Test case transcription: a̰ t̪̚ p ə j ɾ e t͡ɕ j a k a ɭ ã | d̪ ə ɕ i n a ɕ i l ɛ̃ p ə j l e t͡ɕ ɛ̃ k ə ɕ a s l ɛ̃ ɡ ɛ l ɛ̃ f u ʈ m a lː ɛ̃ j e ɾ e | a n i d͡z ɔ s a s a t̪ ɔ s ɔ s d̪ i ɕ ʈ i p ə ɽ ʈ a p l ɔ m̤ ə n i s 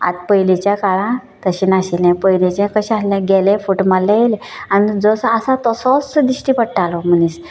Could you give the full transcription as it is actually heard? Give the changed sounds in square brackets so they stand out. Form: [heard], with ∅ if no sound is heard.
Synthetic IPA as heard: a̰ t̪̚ p ə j [l] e t͡ɕ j a k a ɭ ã | [t̪] ə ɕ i n a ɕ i l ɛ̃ p ə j l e t͡ɕ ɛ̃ k ə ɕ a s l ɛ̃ ɡ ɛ l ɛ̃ f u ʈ m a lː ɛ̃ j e [l] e | a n i d͡z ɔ s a s a t̪ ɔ s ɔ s d̪ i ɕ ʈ i p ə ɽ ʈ a [∅] l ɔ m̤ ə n i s